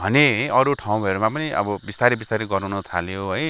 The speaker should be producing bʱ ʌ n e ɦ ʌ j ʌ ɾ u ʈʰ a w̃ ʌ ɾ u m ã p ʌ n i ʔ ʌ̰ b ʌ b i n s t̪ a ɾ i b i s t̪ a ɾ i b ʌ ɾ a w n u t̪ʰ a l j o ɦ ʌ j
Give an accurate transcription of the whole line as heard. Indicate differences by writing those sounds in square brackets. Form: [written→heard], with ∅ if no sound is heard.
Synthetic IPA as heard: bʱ ʌ n e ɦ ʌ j ʌ ɾ u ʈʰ a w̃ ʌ ɾ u m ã p ʌ n i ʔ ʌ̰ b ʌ b i [n→∅] s t̪ a ɾ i b i s t̪ a ɾ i [b→ɡ] ʌ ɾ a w n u t̪ʰ a l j o ɦ ʌ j